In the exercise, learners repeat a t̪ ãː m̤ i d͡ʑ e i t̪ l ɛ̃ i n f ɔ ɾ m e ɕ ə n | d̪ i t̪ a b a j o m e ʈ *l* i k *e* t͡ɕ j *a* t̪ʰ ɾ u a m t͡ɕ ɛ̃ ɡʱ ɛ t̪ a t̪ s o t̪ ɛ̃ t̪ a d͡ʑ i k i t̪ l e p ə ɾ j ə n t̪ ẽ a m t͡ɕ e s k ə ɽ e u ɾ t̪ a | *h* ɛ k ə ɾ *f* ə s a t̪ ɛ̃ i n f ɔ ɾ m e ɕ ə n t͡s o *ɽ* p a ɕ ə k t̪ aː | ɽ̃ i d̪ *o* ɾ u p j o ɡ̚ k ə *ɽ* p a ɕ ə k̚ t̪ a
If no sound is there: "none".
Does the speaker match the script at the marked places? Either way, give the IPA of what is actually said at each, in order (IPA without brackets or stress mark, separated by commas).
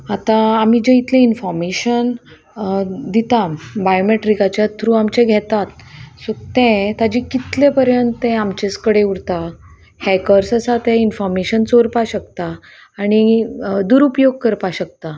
ɾ, a, a, h, s, ɾ, u, ɾ